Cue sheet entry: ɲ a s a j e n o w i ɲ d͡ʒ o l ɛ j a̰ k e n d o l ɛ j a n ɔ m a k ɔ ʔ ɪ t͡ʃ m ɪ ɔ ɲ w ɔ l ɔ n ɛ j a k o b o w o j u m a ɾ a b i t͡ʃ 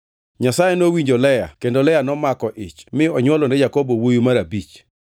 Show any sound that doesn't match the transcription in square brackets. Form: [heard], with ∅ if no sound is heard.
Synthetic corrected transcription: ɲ a s a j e n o w i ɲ d͡ʒ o l ɛ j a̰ k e n d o l ɛ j a n ɔ m a k ɔ ʔ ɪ t͡ʃ m ɪ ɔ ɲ w ɔ l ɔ n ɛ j a k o b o w o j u m a ɾ a b i t͡ʃ